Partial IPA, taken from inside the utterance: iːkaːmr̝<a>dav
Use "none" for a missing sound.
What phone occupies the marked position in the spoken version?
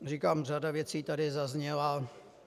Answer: a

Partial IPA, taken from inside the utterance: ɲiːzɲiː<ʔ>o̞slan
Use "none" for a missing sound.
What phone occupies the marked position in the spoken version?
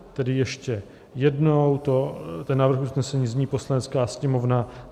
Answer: p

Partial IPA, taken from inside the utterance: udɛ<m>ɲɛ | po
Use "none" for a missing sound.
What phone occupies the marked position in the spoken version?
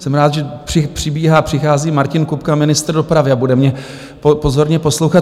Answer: m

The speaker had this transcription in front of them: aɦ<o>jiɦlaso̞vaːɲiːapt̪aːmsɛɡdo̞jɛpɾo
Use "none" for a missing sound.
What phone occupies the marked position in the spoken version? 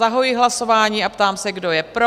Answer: o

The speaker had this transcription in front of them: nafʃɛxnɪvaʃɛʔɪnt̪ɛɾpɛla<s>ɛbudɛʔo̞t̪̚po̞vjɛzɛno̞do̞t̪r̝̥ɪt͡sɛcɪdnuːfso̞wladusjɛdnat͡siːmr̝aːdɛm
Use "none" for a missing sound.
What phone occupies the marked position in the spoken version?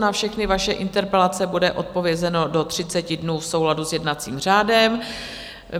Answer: t͡s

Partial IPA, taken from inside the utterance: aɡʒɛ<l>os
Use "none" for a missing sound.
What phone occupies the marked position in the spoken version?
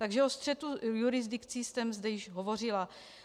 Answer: none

